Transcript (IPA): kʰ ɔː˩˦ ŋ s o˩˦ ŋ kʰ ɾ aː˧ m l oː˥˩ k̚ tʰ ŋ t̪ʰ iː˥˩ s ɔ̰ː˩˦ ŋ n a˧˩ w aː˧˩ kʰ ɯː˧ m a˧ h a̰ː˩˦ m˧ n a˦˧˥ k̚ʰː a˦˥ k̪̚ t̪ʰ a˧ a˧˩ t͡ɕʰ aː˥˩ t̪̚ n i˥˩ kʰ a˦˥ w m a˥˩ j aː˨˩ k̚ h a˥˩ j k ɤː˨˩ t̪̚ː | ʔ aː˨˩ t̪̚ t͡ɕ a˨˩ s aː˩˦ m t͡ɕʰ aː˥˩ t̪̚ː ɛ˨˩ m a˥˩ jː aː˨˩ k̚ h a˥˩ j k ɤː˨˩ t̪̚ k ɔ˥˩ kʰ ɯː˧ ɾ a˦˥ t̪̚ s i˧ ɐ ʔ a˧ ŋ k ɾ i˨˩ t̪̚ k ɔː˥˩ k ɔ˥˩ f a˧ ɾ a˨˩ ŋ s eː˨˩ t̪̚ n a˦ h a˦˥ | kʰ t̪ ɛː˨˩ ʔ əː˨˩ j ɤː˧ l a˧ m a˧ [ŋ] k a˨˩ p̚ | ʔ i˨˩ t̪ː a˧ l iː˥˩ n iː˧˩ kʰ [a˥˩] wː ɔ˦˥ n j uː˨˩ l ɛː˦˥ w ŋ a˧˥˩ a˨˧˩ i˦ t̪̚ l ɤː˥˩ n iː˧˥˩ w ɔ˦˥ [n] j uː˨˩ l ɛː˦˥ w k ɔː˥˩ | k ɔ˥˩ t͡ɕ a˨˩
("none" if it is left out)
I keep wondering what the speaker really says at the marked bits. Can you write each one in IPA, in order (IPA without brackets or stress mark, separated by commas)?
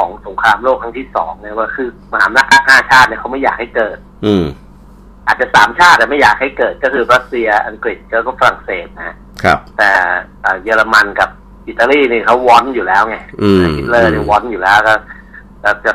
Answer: n, a˦˥, n